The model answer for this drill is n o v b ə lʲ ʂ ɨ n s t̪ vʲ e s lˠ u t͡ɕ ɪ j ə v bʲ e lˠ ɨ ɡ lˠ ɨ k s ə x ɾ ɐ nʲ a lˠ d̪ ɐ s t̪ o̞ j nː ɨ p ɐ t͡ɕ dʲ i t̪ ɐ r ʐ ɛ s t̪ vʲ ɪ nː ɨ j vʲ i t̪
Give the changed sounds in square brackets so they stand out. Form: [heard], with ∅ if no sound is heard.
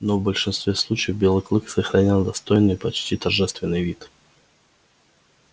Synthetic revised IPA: n o v b ə lʲ ʂ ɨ n s t̪ vʲ e s lˠ u t͡ɕ ɪ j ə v bʲ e lˠ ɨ [k] lˠ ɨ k s ə x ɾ ɐ nʲ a lˠ d̪ ɐ s t̪ o̞ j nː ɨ p ɐ t͡ɕ [tʲ] i t̪ ɐ r ʐ ɛ s t̪ vʲ ɪ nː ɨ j vʲ i t̪